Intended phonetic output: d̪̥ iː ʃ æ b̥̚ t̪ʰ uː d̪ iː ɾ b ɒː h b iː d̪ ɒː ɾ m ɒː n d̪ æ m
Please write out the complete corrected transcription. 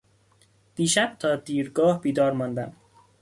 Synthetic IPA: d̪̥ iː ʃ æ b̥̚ t̪ʰ ɒː d̪ iː ɾ ɡ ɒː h b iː d̪ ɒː ɾ m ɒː n d̪ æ m